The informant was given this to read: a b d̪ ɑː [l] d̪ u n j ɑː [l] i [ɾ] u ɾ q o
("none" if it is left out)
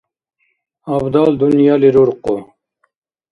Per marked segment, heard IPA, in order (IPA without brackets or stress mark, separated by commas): l, l, ɾ